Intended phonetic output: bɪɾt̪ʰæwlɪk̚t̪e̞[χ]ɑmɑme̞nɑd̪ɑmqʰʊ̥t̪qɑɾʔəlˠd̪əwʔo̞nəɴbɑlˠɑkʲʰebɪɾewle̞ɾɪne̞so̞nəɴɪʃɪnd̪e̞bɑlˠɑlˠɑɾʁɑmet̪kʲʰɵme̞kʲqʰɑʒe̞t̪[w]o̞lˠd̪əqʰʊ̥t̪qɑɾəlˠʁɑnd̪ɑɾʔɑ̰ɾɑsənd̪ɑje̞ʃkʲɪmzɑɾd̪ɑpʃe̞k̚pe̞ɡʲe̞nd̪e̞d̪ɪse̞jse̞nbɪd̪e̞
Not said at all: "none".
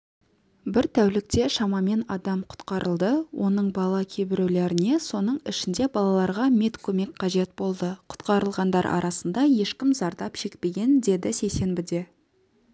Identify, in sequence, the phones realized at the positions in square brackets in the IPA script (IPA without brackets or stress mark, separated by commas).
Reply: ʃ, b